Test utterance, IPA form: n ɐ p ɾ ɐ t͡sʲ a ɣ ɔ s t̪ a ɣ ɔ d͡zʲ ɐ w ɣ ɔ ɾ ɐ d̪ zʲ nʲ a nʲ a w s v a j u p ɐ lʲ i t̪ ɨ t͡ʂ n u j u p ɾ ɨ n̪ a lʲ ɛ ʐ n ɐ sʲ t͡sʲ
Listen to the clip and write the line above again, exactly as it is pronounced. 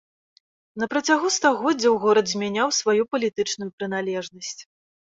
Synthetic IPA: n ɐ p ɾ ɐ t͡sʲ a ɣ u s t̪ a ɣ ɔ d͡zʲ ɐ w ɣ ɔ ɾ ɐ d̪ zʲ mʲ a nʲ a w s v a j u p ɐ lʲ i t̪ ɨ t͡ʂ n u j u p ɾ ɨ n̪ a lʲ ɛ ʐ n ɐ sʲ t͡sʲ